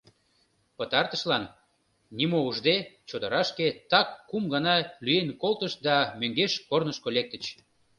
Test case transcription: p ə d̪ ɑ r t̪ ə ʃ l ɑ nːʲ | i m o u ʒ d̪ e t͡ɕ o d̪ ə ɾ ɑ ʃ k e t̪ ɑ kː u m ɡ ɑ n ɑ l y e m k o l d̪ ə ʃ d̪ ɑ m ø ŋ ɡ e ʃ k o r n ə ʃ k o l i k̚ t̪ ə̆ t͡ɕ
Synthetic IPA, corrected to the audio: p ə t̪ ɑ r t̪ ə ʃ l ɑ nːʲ | i m o u ʒ d̪ e t͡ɕ o d̪ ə ɾ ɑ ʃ k e t̪ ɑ kː u m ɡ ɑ n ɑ l y e n k o l t̪ ə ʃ d̪ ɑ m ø ŋ ɡ e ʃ k o r n ə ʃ k o l e k̚ t̪ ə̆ t͡ɕ